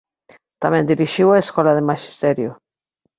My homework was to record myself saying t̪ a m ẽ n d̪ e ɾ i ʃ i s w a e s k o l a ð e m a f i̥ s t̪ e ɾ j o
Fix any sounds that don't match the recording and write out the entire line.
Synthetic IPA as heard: t̪ a m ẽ n d̪ i ɾ i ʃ i w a e s k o l a ð e m a ʃ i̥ s t̪ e ɾ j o